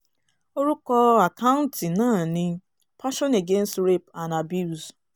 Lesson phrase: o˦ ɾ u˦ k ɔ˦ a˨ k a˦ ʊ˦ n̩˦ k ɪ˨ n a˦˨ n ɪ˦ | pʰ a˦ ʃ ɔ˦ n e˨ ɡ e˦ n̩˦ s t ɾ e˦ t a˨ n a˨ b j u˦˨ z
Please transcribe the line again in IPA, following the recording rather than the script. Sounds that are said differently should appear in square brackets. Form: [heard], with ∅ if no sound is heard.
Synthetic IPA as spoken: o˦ ɾ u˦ k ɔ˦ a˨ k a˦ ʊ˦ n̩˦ [t] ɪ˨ n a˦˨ n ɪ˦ | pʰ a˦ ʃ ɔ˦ n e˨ ɡ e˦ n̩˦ s t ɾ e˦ [p] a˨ n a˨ b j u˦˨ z